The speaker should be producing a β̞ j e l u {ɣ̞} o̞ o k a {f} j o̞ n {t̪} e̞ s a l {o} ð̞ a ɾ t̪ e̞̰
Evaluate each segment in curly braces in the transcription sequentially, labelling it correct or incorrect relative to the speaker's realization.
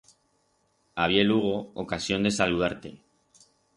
correct, incorrect, incorrect, incorrect

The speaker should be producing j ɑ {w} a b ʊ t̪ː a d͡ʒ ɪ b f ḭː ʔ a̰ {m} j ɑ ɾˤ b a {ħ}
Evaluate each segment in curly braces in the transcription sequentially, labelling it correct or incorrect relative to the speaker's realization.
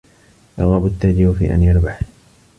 incorrect, incorrect, correct

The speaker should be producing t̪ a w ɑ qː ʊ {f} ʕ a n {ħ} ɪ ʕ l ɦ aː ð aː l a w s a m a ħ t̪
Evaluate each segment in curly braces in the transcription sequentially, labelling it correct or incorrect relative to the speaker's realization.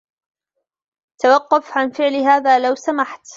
correct, incorrect

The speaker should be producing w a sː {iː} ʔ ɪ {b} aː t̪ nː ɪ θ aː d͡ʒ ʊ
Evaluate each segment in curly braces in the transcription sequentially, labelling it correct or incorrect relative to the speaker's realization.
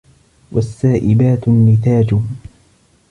incorrect, correct

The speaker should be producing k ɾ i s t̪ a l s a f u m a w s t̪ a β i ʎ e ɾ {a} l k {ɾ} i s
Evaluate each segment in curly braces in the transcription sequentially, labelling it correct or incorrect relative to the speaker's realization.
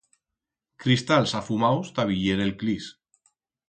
incorrect, incorrect

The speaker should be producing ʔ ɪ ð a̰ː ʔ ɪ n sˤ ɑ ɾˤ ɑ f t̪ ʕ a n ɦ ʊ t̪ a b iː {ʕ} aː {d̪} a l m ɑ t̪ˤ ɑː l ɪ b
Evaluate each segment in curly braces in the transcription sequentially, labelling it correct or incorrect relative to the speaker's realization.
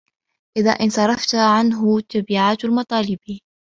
correct, incorrect

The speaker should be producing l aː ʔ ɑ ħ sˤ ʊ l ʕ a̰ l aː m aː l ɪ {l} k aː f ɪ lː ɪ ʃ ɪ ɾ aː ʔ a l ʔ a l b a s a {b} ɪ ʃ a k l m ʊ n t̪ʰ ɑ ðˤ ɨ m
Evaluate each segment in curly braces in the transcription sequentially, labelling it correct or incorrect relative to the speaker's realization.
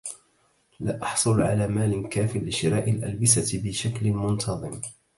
incorrect, correct

